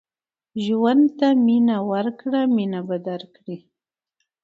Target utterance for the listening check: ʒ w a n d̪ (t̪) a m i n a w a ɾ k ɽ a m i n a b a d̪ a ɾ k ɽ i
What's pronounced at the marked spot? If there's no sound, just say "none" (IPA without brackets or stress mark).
t̪